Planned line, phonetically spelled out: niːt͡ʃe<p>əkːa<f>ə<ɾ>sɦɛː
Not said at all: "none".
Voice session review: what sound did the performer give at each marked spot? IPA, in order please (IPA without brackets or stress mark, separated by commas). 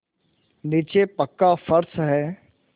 p, f, ɾ